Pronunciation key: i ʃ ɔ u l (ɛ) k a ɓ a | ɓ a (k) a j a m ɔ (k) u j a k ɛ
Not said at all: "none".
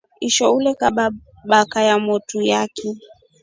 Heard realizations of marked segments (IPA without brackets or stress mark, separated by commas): ɛ, k, t